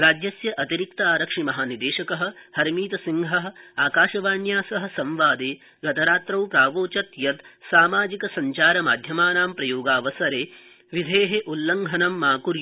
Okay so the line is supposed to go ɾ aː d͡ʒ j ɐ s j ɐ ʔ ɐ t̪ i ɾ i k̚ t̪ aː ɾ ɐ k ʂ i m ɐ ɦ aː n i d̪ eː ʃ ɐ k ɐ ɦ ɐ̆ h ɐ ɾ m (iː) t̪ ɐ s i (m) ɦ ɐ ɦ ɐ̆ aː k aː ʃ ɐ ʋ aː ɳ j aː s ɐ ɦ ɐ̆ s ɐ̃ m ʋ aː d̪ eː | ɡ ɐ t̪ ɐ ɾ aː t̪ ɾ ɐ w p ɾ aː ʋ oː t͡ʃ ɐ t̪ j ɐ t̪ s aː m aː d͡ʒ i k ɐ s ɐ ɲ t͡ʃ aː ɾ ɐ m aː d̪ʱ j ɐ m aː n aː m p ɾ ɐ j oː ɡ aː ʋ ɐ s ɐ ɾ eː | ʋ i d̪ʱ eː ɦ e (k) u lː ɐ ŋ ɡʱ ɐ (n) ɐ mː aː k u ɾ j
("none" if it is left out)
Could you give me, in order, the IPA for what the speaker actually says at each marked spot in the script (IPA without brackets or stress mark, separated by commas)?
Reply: iː, ŋ, ʔ, n